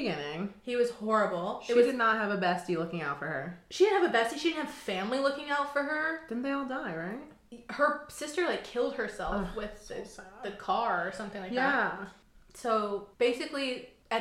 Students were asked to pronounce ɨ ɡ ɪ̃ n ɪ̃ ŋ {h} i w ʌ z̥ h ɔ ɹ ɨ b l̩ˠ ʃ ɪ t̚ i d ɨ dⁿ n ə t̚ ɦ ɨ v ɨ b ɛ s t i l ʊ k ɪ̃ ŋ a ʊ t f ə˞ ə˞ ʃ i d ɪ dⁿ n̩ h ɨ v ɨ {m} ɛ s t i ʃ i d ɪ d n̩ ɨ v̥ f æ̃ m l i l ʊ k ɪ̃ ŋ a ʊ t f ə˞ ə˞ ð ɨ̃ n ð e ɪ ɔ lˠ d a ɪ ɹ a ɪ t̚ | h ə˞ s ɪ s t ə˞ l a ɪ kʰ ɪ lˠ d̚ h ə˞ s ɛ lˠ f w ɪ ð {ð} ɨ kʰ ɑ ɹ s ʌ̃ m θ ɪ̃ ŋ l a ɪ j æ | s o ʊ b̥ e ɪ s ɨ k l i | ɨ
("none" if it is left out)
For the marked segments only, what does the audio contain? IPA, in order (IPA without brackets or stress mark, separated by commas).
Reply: h, b, ð